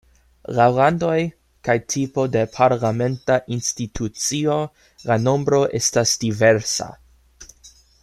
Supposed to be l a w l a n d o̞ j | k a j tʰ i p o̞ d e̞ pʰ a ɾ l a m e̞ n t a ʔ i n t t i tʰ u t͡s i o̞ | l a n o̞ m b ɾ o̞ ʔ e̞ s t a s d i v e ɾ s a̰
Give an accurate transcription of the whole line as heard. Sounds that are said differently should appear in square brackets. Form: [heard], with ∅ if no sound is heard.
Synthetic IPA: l a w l a n d o̞ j | k a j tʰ i p o̞ d e̞ pʰ a ɾ l a m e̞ n t a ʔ i n [s] t i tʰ u t͡s i o̞ | l a n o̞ m b ɾ o̞ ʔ e̞ s t a s d i v e ɾ s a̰